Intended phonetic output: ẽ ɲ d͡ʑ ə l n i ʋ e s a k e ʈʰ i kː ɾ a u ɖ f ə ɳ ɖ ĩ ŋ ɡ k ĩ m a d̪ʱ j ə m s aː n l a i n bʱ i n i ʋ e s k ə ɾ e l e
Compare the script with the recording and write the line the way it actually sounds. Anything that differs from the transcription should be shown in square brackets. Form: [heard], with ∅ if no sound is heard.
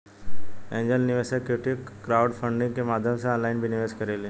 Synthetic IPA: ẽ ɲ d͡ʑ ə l n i ʋ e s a k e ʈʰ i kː ɾ a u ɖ f ə ɳ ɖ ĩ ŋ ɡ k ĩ m a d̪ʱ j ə m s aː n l a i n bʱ i n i ʋ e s k ə ɾ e l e